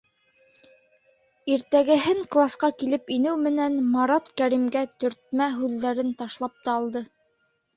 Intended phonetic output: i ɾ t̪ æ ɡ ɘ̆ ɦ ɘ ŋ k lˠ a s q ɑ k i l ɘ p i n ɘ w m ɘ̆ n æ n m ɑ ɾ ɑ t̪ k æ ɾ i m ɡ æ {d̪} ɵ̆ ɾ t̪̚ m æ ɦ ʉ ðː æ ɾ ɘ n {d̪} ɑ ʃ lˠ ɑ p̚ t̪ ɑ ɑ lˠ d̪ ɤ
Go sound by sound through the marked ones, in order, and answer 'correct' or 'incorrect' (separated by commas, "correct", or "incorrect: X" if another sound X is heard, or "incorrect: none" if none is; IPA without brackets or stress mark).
incorrect: t̪, incorrect: t̪